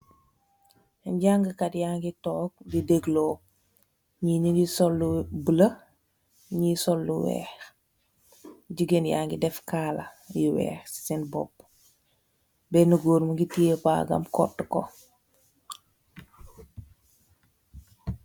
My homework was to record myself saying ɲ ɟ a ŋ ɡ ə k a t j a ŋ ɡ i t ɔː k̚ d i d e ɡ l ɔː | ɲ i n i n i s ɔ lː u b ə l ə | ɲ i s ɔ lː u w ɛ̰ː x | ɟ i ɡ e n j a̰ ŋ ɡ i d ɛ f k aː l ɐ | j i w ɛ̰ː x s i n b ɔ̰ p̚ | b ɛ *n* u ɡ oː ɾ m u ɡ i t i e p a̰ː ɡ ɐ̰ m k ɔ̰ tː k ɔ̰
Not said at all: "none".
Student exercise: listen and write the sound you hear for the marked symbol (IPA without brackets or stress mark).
n